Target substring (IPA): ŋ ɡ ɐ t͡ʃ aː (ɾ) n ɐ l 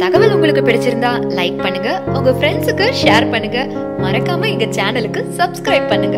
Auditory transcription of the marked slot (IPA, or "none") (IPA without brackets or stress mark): none